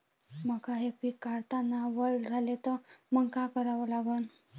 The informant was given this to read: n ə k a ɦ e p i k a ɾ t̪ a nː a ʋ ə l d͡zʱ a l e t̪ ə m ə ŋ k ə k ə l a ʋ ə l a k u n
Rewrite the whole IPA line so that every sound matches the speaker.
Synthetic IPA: m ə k a ɦ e p i k a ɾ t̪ a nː a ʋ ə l d͡zʱ a l e t̪ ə m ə ŋ k a k ə ɾ a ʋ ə l a ɡ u n